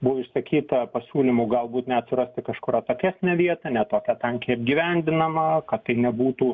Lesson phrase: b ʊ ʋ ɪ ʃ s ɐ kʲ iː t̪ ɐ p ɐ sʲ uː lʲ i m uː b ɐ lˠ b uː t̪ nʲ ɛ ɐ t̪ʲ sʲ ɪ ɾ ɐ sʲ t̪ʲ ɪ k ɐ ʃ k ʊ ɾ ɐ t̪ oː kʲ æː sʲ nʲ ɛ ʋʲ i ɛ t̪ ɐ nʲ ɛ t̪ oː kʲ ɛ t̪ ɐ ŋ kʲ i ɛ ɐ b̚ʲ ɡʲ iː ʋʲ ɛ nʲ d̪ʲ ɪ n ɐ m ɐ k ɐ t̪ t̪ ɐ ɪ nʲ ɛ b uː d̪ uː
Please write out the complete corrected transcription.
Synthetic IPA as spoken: b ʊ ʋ ɪ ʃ s ɐ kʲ iː t̪ ɐ p ɐ sʲ uː lʲ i m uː ɡ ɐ lˠ b uː t̪ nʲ ɛ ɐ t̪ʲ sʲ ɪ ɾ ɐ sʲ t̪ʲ ɪ k ɐ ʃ k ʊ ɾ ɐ t̪ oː kʲ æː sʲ nʲ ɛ ʋʲ i ɛ t̪ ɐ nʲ ɛ t̪ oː kʲ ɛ t̪ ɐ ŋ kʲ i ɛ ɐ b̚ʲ ɡʲ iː ʋʲ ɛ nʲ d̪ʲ ɪ n ɐ m ɐ k ɐ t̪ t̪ ɐ ɪ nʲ ɛ b uː t̪ uː